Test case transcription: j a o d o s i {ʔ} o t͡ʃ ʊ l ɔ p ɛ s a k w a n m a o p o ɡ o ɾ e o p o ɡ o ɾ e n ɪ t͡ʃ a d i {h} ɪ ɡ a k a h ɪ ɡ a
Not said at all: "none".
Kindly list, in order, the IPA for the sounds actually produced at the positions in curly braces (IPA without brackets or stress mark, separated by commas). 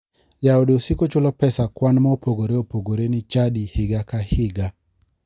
k, h